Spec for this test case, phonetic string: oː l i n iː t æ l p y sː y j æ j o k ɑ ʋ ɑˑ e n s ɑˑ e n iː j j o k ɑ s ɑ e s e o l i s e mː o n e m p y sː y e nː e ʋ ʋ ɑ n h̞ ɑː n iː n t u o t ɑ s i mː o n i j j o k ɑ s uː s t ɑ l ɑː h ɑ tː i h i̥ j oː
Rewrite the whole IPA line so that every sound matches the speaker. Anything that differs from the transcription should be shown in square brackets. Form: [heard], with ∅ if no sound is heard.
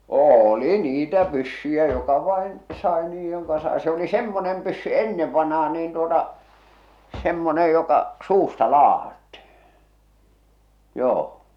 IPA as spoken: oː l i n iː t æ [∅] p y sː y j æ j o k ɑ ʋ ɑˑ e n s ɑˑ e n iː j j o k ɑ s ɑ e s e o l i s e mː o n e m p y sː y e nː e ʋ ʋ ɑ n h̞ ɑː n iː n t u o t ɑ s [e] mː o n [e] j j o k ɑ s uː s t ɑ l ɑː h ɑ tː i h i̥ j oː